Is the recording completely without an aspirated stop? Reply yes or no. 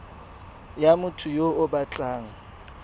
no